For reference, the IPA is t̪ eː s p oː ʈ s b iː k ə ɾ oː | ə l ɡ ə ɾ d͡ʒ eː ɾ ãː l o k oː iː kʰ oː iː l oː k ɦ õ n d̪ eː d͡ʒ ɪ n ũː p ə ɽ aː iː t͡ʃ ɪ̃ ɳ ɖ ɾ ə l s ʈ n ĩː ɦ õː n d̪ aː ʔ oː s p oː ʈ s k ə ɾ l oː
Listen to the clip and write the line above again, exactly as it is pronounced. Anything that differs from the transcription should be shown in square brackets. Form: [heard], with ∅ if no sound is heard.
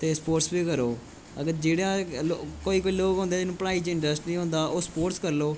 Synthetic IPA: t̪ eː s p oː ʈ s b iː k ə ɾ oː | ə [∅] ɡ ə ɾ d͡ʒ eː [ɽ] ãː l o k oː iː [k] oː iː l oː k ɦ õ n d̪ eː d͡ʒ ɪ n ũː p ə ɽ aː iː t͡ʃ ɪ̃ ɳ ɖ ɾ ə [∅] s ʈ n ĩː ɦ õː n d̪ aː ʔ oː s p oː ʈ s k ə ɾ l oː